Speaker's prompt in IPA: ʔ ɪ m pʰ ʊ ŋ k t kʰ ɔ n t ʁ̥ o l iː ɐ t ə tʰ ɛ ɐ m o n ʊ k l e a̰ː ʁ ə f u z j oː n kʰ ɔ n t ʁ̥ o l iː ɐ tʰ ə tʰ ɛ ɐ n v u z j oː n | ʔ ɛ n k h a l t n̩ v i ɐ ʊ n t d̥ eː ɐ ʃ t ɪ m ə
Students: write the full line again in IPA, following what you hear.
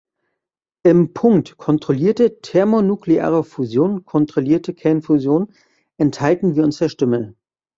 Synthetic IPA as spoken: ʔ ɪ m pʰ ʊ ŋ k t kʰ ɔ n t ʁ̥ o l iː ɐ t ə tʰ ɛ ɐ m o n u k l e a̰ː ʁ ə f u z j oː n kʰ ɔ n t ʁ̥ o l iː ɐ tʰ ə kʰ ɛ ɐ n f u z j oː n | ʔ ɛ n t h a l t n̩ v iː ɐ ʊ n s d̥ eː ɐ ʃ t ɪ m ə